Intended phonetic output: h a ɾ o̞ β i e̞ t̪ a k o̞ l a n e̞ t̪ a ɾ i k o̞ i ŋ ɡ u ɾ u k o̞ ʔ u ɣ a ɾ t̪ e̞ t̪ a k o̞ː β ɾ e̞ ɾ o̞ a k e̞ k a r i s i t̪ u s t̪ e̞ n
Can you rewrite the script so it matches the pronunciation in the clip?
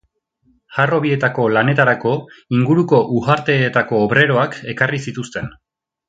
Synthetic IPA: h a r o̞ β i e̞ t̪ a k o̞ l a n e̞ t̪ a ɾ a k o̞ i ŋ ɡ u ɾ u k o̞ ʔ u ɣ a ɾ t̪ e̞ t̪ a k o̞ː β ɾ e̞ ɾ o̞ a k e̞ k a r i s i t̪ u s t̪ e̞ n